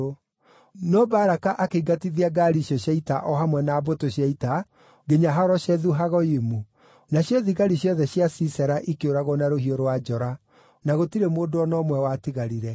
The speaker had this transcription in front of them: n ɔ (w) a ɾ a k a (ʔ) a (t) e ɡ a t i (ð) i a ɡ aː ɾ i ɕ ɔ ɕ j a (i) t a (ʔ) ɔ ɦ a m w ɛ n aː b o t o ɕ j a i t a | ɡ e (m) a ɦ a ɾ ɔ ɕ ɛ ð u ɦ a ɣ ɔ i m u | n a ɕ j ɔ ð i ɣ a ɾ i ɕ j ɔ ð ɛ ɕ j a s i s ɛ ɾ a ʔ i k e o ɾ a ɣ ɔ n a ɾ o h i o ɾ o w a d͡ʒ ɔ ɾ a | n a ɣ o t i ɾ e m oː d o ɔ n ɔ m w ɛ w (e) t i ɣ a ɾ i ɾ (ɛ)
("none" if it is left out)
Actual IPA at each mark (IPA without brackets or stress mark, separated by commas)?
b, ʔ, k, ð, i, ʔ, ɲ, a, ɛ